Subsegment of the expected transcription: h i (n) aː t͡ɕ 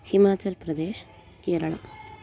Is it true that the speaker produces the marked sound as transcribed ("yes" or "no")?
no